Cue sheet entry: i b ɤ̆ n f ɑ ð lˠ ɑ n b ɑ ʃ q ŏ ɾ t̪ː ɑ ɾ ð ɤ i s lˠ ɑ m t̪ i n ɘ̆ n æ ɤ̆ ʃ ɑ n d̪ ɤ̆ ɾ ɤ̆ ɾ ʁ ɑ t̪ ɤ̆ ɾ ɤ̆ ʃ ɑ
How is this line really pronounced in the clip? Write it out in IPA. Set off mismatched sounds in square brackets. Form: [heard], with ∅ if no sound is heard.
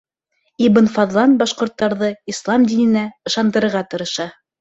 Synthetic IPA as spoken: i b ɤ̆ n f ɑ ð lˠ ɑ n b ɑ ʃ q ŏ ɾ t̪ː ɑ ɾ ð ɤ i s lˠ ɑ m [d̪] i n ɘ̆ n æ ɤ̆ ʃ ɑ n d̪ ɤ̆ ɾ ɤ̆ ɾ ʁ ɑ t̪ ɤ̆ ɾ ɤ̆ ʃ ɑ